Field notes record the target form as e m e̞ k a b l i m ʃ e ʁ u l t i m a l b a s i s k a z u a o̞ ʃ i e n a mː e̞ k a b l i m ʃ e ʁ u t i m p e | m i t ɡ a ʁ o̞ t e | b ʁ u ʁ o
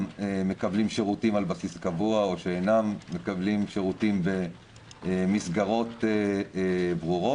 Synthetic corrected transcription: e m e̞ k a b l i m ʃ e ʁ u t i m a l b a s i s k a v u a o̞ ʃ e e n a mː e̞ k a b l i m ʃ e ʁ u t i m b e | m i s ɡ a ʁ o̞ t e | b ʁ u ʁ o

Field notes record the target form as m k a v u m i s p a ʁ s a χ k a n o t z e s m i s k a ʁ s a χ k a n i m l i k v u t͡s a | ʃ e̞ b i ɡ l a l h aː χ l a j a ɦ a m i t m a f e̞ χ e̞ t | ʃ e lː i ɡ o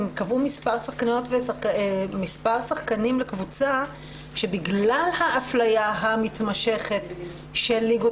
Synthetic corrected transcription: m k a v u m i s p a ʁ s a χ k a n o t v e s m i s p a ʁ s a χ k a n i m l e k v u t͡s a | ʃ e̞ b i ɡ l a l h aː f l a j a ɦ a m i t m a ʃ e̞ χ e̞ t | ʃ e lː i ɡ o

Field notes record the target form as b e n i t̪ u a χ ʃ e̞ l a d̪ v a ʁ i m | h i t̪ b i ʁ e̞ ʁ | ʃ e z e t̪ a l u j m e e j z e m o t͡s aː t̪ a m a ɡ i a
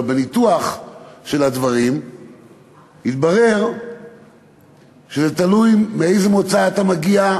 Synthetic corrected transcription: b e n i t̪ u a χ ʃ e̞ l a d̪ v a ʁ i m | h i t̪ b a ʁ e̞ ʁ | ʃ e z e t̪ a l u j m e e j z e m o t͡s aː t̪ a m a ɡ i a

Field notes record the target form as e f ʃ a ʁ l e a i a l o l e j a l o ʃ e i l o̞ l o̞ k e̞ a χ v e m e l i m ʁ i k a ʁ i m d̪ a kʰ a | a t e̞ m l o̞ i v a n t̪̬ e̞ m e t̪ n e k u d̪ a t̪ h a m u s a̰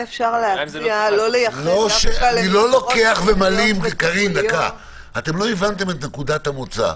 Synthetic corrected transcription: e f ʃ a ʁ l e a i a l o l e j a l o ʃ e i l o̞ l o̞ k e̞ a χ v e m a l i m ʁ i k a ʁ i m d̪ a k a | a t e̞ m l o̞ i v a n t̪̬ e̞ m e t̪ n e k u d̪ a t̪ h a m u t͡s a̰

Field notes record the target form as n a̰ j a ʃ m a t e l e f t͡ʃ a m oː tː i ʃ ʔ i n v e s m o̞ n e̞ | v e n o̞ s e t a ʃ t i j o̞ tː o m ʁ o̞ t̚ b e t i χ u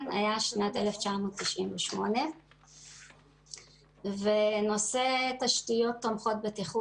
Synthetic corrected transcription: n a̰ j a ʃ n a t e l e f t͡ʃ a m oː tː i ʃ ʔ i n v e ʃ m o̞ n e̞ | v e n o̞ s e t a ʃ t i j o̞ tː o m χ o̞ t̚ b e t i χ u

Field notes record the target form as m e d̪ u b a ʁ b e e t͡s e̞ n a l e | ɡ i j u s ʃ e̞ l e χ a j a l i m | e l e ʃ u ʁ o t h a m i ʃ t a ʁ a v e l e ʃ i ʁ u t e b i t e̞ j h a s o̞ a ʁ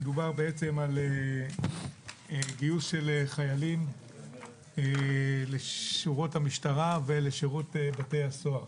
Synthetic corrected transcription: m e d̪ u b a ʁ b e e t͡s e̞ m a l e | ɡ i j u s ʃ e̞ l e χ a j a l i m | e l e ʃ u ʁ o t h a m i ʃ t a ʁ a v e l e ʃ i ʁ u t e b a t e̞ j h a s o̞ a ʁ

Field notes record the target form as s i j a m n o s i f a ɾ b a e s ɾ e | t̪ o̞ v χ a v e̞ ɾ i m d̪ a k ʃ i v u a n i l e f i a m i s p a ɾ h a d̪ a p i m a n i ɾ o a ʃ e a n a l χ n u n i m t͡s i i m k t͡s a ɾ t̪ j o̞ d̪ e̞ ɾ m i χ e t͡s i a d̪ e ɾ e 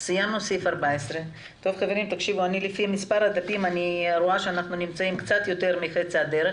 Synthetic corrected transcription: s i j a m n o s i f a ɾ b a e s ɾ e | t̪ o̞ v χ a v e̞ ɾ i m t̪ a k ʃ i v u a n i l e f i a m i s p a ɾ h a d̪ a p i m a n i ɾ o a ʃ e a n a χ n u n i m t͡s a i m k t͡s a t̪ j o̞ t̪ e̞ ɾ m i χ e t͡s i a d̪ e ɾ e

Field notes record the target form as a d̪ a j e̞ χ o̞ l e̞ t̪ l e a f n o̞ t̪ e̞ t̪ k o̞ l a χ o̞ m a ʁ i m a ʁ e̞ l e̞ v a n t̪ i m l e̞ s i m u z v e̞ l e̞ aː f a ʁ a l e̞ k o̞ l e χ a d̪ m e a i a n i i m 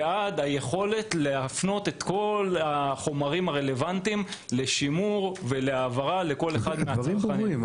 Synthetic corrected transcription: a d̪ a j e̞ χ o̞ l e̞ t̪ l e a f n o̞ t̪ e̞ t̪ k o̞ l a χ o̞ m a ʁ i m a ʁ e̞ l e̞ v a n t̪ i m l e̞ ʃ i m u ʁ v e̞ l e̞ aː v a ʁ a l e̞ k o̞ l e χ a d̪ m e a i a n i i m

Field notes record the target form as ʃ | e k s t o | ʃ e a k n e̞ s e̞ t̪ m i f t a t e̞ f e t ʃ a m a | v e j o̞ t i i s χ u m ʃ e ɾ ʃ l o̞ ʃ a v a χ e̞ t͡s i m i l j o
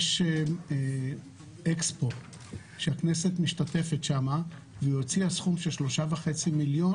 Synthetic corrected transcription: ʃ | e k s p o | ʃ e a k n e̞ s e̞ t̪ m i ʃ t a t e̞ f e t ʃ a m a | v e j o̞ t͡s i a s χ u m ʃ e l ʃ l o̞ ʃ a v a χ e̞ t͡s i m i l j o

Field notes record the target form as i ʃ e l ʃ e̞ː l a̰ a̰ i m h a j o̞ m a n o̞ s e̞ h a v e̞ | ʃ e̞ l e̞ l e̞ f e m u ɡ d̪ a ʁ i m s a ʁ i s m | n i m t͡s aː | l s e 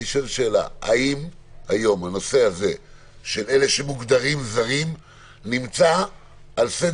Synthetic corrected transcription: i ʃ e l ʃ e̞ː l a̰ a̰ i m h a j o̞ m a n o̞ s e̞ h a z e̞ | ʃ e̞ l e̞ l e̞ ʃ e m u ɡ d̪ a ʁ i m z a ʁ i m | n i m t͡s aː | l s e

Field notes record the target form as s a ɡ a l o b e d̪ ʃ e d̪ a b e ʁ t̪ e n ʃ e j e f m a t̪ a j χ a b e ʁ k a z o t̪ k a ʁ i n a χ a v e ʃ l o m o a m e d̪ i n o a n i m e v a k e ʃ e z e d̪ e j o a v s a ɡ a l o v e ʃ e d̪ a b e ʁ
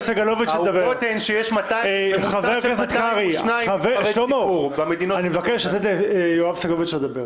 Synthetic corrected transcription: s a ɡ a l o v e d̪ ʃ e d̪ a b e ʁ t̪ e n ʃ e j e ʃ m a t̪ a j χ a v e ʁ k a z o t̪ k a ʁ i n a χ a v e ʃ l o m o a m e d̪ i n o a n i m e v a k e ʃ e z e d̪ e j o a v s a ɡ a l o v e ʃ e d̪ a b e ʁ

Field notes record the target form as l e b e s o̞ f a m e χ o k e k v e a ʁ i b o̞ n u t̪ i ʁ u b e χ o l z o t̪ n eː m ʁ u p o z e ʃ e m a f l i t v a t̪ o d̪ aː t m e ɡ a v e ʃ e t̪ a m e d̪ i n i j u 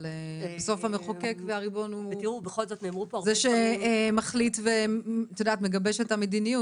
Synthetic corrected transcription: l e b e s o̞ f a m e χ o k e k v e a ʁ i b o̞ n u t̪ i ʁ u b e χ o l z o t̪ n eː m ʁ u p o z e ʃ e m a χ l i t v e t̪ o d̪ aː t m e ɡ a b e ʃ e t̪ a m e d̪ i n i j u

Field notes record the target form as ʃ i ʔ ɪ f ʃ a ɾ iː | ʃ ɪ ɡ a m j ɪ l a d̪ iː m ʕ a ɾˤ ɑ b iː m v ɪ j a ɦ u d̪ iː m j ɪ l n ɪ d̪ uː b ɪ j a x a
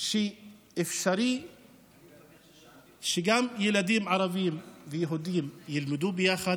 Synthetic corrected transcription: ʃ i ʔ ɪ f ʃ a ɾ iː | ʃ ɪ ɡ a m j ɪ l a d̪ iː m ʕ ɑ ɾˤ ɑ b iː m v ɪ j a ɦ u d̪ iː m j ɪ l m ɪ d̪ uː b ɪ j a x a

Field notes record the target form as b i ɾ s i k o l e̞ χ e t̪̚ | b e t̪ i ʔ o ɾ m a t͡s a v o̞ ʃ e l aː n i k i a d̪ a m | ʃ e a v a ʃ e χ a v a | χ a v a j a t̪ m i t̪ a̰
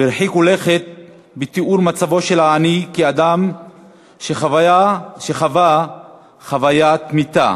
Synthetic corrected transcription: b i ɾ ħ i k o l e̞ χ e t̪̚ | b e t̪ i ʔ u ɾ m a t͡s a v o̞ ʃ e l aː n i k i a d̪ a m | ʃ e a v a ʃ e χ a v a | χ a v a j a t̪ m i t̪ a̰

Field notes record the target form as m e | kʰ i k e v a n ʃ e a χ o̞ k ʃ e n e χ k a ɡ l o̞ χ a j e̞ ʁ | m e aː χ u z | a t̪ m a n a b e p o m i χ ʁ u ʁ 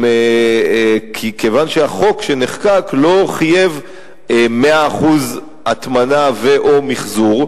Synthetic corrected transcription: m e | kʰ i k e v a n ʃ e a χ o̞ k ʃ e n e χ k a k l o̞ χ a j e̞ v | m e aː χ u z | a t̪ m a n a v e ʔ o m i χ z u ʁ

